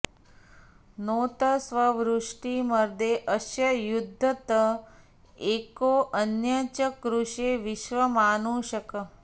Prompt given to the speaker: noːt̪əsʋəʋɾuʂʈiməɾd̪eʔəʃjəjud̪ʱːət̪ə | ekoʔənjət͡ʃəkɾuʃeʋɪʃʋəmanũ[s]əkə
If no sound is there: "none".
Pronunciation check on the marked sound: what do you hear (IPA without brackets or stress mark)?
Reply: ʃ